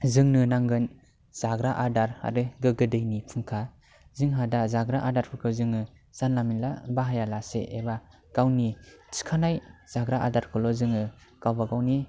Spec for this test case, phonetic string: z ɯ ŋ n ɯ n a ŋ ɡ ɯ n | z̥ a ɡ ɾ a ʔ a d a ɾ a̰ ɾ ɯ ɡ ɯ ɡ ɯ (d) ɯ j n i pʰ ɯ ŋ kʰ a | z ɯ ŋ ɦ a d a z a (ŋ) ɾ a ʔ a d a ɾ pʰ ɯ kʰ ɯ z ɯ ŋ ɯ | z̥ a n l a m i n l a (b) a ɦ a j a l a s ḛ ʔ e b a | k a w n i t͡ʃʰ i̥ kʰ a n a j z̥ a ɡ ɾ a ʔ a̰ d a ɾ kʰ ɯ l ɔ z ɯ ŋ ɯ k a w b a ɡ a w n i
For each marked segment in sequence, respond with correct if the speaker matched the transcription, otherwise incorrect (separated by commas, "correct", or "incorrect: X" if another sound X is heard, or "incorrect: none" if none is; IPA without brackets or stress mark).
correct, incorrect: ɡ, correct